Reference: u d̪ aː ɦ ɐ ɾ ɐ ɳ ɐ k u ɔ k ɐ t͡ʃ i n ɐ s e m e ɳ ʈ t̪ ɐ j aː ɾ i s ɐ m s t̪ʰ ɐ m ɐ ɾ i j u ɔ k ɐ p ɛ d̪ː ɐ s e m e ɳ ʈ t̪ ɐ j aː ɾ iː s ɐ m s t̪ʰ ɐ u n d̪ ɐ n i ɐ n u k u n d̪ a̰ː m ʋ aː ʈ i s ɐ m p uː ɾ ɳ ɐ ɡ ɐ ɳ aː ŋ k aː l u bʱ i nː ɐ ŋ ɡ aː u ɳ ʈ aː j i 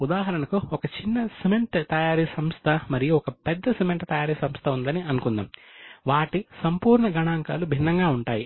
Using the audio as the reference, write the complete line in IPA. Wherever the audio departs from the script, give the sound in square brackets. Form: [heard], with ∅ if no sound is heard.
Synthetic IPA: u d̪ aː ɦ ɐ ɾ ɐ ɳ ɐ k u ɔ k ɐ t͡ʃ i [nː] ɐ s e m e ɳ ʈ t̪ ɐ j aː ɾ i s ɐ m s t̪ʰ ɐ m ɐ ɾ i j u ɔ k ɐ p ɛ d̪ː ɐ s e m e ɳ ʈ t̪ ɐ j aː ɾ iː s ɐ m s t̪ʰ ɐ u n d̪ ɐ n i ɐ n u k u n d̪ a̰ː m ʋ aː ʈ i s ɐ m p uː ɾ ɳ ɐ ɡ ɐ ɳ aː ŋ k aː l u bʱ i nː ɐ ŋ ɡ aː u ɳ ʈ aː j i